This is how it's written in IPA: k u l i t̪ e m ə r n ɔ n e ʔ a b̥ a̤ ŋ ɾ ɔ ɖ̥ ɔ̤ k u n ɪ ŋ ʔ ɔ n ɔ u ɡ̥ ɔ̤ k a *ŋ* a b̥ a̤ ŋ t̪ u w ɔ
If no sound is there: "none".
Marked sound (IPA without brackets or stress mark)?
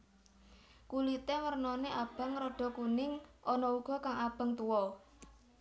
ŋ